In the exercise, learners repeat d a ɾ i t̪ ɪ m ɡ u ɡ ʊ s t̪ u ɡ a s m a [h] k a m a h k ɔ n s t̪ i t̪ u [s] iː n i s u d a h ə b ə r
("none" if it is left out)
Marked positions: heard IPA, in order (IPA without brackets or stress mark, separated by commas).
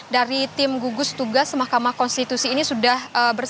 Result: h, s